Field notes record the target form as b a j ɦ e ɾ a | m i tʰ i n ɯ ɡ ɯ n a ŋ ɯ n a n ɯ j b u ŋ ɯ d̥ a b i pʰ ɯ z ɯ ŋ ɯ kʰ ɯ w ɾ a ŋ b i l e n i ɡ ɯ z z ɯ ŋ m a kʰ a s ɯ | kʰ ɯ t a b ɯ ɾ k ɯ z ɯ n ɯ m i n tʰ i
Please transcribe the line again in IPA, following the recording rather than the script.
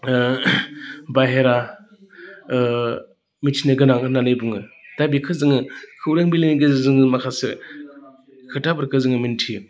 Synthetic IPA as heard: b a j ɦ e ɾ a | m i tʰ i n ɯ ɡ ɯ n a ŋ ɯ n a n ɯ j b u ŋ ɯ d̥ a b i kʰ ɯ z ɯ ŋ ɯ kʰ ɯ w ɾ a ŋ b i l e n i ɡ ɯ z z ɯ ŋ m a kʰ a s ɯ | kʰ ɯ t a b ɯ ɾ k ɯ z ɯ ŋ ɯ m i n tʰ i